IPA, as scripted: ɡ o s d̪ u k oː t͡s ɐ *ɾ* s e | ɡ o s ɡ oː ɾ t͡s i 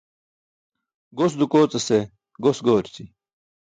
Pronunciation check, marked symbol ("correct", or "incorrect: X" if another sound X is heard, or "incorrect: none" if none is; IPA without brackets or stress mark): incorrect: none